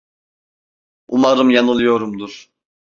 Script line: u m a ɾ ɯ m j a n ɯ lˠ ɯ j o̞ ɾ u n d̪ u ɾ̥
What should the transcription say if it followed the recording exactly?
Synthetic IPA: u m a ɾ ɯ m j a n ɯ lˠ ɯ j o̞ ɾ u m d̪ u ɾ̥